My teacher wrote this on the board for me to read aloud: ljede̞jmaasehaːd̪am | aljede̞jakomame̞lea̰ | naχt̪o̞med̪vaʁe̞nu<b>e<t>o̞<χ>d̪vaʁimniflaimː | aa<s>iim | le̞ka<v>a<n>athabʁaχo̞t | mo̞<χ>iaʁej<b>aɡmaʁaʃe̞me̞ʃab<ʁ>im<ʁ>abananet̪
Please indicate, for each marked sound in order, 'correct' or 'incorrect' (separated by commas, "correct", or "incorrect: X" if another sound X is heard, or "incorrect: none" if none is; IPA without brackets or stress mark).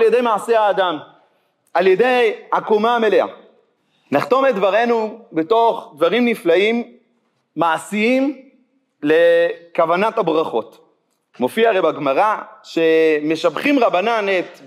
correct, correct, correct, correct, correct, correct, incorrect: f, correct, incorrect: χ, correct